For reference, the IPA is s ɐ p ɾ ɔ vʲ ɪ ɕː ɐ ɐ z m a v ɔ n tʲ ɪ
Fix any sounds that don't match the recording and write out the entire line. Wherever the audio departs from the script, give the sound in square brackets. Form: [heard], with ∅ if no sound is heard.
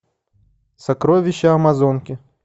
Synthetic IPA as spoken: s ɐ [k] ɾ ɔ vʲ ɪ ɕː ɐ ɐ [∅] m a [z] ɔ n [kʲ] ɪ